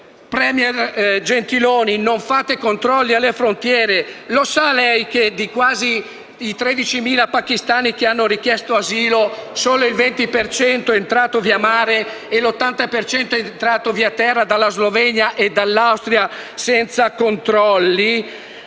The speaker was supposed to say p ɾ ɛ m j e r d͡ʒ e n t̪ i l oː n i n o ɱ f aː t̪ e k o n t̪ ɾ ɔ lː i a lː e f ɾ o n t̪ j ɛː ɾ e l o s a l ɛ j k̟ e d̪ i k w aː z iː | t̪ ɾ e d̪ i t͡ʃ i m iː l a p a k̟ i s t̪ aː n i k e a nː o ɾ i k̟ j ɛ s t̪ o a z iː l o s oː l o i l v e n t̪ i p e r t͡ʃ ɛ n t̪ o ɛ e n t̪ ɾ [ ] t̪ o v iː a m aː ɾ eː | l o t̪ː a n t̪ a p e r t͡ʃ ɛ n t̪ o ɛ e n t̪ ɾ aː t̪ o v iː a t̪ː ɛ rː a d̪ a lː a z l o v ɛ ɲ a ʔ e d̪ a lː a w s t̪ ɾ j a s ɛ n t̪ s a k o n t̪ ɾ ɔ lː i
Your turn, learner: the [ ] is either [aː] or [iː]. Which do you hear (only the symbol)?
aː